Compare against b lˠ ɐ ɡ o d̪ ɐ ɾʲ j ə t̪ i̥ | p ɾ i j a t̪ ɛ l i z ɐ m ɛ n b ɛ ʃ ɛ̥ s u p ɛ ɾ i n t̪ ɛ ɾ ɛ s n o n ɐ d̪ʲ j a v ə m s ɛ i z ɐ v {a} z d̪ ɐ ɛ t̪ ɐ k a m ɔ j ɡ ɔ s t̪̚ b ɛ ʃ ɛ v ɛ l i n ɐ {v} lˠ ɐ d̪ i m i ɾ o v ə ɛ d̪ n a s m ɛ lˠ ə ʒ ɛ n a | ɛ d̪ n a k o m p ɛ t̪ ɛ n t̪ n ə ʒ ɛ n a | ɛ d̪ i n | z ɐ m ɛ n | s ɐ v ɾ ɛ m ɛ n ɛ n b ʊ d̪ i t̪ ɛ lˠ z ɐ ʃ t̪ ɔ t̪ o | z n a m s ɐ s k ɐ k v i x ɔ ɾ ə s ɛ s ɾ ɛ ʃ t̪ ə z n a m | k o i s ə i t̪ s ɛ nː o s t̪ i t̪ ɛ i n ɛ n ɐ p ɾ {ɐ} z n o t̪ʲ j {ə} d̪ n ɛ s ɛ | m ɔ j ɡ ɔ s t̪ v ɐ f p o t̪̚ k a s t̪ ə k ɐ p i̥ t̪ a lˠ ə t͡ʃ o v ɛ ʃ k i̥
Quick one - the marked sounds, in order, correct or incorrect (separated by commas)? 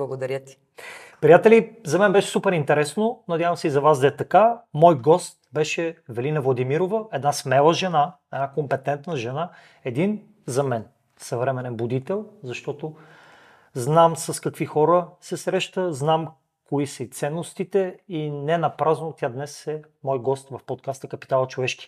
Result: correct, correct, incorrect, incorrect